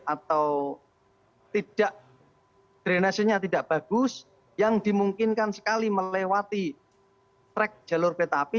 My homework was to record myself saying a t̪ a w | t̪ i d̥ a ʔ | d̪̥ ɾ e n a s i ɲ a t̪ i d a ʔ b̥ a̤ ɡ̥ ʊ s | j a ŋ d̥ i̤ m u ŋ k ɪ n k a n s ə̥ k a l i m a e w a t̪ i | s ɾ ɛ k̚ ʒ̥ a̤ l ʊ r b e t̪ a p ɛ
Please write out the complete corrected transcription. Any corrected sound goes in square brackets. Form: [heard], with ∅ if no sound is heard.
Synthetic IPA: a t̪ a w | t̪ i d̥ a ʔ | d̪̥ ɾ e n a s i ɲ a t̪ i d a ʔ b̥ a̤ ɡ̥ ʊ s | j a ŋ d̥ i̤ m u ŋ k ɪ n k a n s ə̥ k a l i m [ə] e w a t̪ i | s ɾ ɛ k̚ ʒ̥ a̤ l ʊ r [p] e t̪ a p [i]